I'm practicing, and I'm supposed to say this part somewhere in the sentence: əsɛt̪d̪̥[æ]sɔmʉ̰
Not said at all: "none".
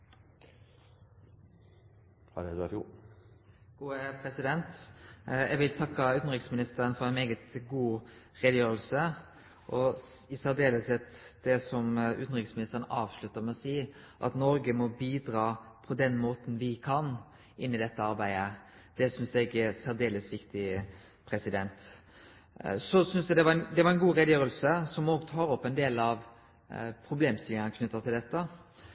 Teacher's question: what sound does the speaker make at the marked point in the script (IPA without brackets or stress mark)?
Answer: ɛ